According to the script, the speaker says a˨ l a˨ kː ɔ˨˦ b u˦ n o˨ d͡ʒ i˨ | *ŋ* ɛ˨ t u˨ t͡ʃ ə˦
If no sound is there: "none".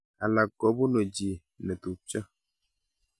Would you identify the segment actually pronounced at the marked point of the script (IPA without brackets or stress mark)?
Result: n